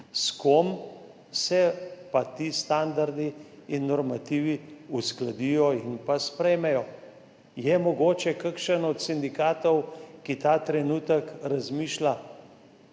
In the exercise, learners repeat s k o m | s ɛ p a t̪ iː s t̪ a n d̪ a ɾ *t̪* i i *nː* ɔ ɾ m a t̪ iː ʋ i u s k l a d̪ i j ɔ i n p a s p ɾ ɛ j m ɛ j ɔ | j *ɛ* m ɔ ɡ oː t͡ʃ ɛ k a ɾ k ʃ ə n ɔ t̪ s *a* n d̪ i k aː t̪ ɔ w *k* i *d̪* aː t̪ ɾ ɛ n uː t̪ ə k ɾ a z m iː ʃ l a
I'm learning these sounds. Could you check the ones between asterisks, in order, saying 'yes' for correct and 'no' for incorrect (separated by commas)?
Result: no, yes, yes, no, yes, no